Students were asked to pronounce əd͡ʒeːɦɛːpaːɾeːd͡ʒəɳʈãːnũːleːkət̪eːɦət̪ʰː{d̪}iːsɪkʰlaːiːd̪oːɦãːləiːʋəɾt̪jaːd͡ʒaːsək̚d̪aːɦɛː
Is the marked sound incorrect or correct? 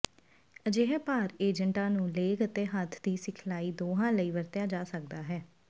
correct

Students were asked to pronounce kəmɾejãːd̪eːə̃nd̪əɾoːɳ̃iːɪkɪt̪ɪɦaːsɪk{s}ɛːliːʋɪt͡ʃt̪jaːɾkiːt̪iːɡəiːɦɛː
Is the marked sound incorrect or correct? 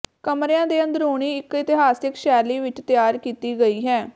incorrect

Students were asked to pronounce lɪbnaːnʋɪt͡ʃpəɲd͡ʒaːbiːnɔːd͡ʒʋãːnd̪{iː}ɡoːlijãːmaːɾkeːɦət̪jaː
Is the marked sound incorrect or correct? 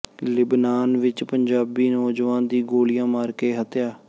correct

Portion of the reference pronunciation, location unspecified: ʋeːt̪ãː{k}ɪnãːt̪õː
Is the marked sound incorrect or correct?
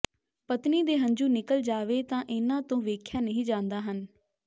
incorrect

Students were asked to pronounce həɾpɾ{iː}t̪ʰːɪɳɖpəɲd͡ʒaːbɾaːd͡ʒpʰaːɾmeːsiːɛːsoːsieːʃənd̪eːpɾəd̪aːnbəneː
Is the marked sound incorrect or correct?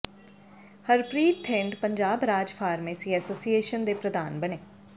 correct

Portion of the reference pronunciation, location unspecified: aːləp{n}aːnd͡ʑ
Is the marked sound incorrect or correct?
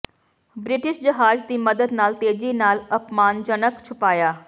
incorrect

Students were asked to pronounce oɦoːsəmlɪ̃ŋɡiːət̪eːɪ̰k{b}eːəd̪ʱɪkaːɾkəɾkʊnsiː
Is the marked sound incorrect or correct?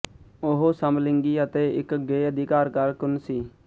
incorrect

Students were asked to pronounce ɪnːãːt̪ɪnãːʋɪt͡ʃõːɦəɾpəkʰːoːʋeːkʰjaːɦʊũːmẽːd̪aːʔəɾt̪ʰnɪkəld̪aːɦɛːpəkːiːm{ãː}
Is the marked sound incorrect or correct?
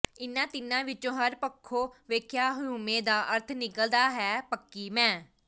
incorrect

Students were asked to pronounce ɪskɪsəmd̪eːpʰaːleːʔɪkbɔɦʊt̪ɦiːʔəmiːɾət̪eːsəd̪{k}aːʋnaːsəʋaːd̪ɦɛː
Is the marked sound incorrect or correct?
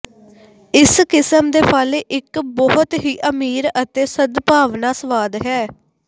incorrect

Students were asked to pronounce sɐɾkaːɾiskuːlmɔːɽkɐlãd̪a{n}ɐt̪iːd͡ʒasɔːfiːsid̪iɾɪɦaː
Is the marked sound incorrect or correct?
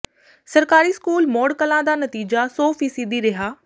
correct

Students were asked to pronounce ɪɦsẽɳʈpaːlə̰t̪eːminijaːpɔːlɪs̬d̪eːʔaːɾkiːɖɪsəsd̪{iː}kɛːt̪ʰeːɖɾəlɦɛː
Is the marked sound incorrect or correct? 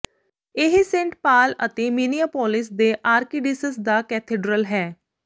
incorrect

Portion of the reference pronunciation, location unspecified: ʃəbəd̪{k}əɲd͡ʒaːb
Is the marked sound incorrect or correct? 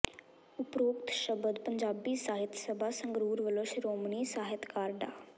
incorrect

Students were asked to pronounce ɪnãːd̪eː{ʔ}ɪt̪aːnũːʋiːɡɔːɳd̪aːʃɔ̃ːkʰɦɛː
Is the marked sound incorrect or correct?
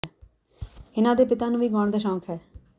incorrect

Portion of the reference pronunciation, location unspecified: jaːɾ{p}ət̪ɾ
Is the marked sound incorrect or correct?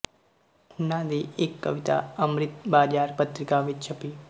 correct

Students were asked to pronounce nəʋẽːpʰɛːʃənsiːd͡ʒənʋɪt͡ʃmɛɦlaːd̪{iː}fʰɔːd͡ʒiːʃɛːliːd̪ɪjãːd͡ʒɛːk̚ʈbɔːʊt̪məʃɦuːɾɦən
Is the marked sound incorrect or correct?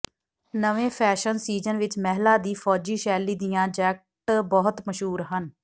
correct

